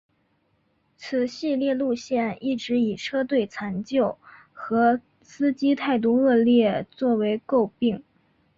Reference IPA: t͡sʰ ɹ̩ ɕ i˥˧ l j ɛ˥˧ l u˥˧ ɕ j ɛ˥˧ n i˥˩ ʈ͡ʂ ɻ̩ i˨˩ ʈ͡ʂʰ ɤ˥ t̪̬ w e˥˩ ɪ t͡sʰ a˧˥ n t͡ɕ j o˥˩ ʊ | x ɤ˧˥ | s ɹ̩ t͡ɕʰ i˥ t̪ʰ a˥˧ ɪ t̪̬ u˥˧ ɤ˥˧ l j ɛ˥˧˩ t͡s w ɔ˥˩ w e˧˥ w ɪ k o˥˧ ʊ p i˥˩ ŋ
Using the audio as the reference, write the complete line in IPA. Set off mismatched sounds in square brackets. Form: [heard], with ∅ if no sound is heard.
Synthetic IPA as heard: t͡sʰ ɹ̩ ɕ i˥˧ l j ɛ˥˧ l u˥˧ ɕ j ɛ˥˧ n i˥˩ ʈ͡ʂ ɻ̩ i˨˩ ʈ͡ʂʰ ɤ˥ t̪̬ w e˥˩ ɪ t͡sʰ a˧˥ n t͡ɕ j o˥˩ ʊ | x ɤ˧˥ | s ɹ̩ [t͡ɕ] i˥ t̪ʰ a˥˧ ɪ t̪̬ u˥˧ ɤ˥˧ l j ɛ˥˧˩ t͡s w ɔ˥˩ w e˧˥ [∅] ɪ k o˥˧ ʊ p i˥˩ ŋ

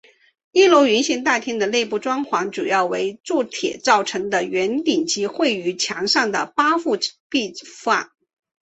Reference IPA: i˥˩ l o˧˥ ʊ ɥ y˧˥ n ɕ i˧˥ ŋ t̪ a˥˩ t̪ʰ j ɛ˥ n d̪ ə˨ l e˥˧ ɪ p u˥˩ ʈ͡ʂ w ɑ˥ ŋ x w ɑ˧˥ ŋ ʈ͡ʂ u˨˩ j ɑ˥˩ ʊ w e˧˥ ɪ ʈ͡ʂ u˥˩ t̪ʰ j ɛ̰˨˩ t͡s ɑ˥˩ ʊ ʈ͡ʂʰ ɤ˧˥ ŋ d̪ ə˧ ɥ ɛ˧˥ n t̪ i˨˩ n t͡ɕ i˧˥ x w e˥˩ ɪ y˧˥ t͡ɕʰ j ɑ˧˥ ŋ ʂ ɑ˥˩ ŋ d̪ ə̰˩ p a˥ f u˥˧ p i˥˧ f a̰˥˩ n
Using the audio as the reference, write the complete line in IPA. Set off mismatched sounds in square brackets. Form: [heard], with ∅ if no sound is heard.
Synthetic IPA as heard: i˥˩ l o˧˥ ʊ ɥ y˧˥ n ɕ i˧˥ ŋ t̪ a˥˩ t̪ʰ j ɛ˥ n d̪ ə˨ l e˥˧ ɪ p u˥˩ ʈ͡ʂ w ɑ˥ ŋ x w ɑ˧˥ ŋ ʈ͡ʂ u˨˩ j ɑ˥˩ ʊ w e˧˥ ɪ ʈ͡ʂ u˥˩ t̪ʰ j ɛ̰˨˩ t͡s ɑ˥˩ ʊ ʈ͡ʂʰ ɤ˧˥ ŋ d̪ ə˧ ɥ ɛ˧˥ n t̪ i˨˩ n t͡ɕ i˧˥ x w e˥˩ ɪ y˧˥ t͡ɕʰ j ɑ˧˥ ŋ ʂ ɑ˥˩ ŋ d̪ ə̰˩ p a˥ f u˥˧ p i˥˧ f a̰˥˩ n

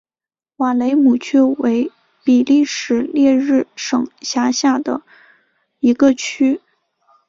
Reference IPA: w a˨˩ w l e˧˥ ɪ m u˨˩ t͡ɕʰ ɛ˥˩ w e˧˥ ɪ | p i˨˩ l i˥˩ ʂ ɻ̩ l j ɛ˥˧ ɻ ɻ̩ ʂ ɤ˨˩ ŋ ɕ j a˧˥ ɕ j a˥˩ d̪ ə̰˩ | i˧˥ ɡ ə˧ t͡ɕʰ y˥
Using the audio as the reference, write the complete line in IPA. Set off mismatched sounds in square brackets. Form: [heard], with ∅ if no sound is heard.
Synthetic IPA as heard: w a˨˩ [∅] l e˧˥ ɪ m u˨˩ t͡ɕʰ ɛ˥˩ w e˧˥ ɪ | p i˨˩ l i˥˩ ʂ ɻ̩ l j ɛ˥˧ ɻ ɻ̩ ʂ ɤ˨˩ ŋ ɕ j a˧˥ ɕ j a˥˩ d̪ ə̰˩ | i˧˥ ɡ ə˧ t͡ɕʰ y˥

